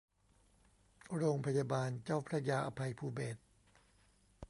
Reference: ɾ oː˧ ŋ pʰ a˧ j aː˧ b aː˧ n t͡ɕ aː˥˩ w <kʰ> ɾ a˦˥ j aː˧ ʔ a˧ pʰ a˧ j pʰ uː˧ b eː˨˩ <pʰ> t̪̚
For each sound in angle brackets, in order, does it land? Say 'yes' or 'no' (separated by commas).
no, no